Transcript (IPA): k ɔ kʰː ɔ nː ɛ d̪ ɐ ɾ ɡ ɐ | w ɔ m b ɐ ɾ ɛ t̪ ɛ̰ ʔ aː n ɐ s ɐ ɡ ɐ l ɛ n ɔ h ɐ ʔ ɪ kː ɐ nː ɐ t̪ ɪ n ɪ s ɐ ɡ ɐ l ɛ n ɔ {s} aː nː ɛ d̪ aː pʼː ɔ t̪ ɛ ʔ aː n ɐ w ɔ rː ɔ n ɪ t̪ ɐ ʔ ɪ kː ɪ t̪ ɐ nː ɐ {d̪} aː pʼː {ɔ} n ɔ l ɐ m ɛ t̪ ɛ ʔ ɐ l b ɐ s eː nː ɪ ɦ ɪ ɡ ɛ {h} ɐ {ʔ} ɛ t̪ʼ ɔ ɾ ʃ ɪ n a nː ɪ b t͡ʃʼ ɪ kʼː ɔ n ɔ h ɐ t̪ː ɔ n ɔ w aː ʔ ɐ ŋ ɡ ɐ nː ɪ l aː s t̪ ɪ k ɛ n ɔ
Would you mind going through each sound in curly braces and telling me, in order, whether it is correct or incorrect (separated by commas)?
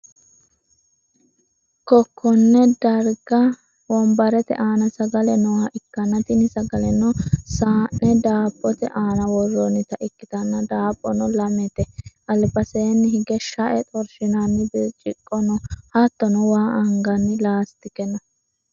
correct, correct, correct, incorrect, correct